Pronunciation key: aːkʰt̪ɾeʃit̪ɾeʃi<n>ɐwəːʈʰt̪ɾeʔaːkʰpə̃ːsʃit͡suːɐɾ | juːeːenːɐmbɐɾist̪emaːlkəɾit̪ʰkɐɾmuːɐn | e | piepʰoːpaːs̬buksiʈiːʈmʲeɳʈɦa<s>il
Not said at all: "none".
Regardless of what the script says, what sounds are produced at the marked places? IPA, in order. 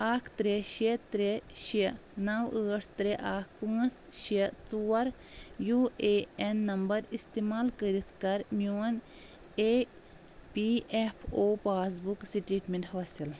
n, s

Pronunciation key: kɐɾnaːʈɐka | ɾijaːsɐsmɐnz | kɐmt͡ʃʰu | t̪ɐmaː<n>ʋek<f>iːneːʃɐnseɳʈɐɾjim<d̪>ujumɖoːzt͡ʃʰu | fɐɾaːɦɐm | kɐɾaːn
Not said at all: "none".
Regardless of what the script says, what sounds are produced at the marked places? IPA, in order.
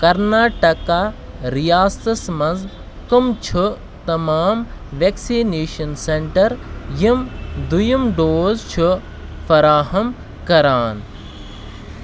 m, s, d̪

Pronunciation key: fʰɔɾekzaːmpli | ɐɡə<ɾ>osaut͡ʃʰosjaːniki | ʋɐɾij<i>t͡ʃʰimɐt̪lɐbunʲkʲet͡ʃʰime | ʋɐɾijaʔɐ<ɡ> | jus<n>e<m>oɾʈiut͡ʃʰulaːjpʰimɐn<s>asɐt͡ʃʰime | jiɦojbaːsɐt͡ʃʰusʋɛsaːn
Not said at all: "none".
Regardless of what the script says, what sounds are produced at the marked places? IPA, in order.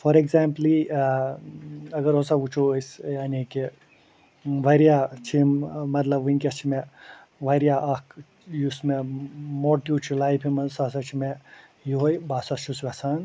ɾ, a, k, m, m, s

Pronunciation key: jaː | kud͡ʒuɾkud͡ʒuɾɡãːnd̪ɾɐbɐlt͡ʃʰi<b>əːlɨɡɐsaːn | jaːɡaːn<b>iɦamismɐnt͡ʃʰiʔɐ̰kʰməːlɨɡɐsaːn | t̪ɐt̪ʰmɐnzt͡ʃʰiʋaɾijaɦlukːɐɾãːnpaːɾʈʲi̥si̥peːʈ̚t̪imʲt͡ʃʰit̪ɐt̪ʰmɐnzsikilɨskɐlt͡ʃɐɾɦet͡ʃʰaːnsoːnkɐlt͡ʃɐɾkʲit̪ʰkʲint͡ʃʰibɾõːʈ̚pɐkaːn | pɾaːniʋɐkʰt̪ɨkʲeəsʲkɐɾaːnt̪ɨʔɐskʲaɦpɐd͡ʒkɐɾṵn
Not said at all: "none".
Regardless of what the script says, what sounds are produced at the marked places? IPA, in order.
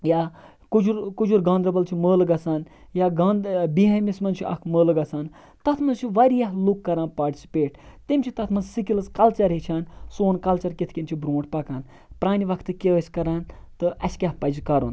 m, b

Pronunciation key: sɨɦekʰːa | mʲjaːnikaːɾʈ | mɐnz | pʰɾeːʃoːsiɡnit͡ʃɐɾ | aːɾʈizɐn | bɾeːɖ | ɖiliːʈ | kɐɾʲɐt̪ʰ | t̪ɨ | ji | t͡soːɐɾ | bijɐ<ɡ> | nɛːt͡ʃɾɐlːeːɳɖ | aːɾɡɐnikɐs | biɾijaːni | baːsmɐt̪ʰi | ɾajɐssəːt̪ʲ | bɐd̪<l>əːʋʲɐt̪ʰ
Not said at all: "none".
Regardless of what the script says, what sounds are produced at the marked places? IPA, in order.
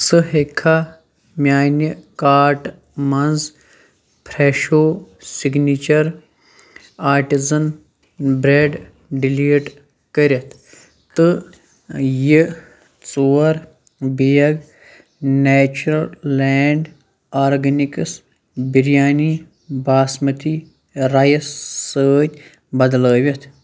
ɡ, l

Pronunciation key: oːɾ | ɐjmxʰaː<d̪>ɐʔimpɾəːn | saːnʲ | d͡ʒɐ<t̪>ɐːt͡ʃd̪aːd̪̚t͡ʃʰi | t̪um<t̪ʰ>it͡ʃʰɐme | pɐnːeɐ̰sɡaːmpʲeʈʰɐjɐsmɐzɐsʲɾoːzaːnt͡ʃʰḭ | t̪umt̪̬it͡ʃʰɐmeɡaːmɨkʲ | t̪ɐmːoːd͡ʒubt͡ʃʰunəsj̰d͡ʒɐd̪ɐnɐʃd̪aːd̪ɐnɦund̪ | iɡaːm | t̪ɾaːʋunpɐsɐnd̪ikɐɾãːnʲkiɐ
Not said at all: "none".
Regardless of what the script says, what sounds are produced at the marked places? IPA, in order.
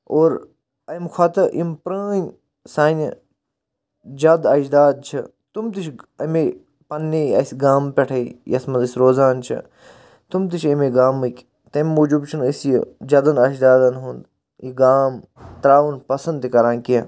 t̪, d̪, t̪

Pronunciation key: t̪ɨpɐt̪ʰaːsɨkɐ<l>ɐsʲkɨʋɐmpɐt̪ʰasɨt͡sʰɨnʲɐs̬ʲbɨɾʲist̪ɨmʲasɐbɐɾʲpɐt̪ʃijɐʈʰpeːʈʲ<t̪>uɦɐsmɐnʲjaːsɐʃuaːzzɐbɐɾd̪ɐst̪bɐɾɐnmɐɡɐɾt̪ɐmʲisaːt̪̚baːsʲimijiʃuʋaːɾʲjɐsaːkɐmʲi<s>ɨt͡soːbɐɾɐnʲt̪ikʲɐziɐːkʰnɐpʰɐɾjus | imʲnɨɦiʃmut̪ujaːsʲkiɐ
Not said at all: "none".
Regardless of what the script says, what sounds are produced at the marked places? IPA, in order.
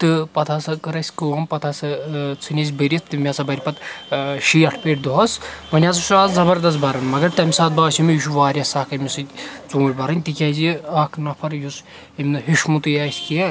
ɾ, d̪, s

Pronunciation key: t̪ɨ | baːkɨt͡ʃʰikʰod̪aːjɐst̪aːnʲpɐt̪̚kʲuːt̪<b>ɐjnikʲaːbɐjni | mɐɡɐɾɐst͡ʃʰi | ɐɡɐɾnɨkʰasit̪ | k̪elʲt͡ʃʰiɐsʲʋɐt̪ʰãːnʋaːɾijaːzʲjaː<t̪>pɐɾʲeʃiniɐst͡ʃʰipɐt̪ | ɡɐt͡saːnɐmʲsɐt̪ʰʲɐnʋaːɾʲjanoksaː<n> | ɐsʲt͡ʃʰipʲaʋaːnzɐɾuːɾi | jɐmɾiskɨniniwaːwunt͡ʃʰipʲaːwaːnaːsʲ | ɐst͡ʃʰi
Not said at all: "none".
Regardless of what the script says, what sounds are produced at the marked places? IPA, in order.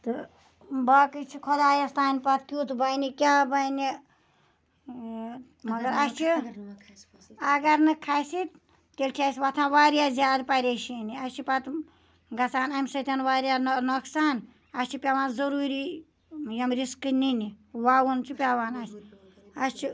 b, d̪, n

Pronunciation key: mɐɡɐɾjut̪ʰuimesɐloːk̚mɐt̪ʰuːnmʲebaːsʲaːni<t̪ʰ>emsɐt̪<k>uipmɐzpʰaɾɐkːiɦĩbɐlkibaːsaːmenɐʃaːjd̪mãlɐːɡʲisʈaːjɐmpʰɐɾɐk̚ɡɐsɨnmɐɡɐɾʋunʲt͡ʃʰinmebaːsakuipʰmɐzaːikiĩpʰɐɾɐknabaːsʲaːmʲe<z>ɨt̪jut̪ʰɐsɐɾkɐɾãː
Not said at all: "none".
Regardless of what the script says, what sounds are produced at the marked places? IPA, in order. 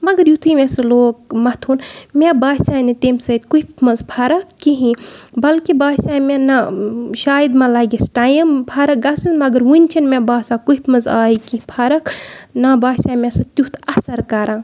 t̪, k, s

